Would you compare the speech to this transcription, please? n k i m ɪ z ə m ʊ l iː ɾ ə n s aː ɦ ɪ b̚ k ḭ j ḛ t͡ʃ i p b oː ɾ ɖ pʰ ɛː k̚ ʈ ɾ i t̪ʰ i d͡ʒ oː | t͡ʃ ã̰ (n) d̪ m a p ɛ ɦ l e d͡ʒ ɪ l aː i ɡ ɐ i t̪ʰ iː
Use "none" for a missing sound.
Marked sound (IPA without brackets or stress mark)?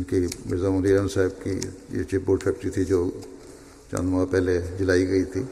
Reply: n